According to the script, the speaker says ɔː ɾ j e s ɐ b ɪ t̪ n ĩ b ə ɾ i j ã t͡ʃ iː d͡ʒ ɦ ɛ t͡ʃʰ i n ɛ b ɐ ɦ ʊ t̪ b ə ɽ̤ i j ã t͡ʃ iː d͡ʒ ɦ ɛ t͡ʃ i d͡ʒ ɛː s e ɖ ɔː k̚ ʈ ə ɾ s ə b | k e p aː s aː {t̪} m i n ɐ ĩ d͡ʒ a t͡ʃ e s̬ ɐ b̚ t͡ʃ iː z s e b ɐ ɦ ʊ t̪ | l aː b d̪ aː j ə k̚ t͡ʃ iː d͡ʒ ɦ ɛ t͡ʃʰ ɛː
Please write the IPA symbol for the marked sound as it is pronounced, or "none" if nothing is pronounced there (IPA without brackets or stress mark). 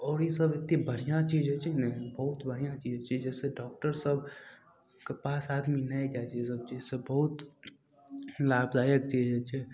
d̪